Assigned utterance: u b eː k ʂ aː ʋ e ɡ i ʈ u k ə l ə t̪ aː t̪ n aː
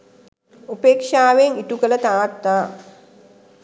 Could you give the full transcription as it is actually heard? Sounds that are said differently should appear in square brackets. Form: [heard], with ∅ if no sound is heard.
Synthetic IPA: u [p] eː k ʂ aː ʋ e [ŋ] i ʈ u k ə l ə t̪ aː t̪ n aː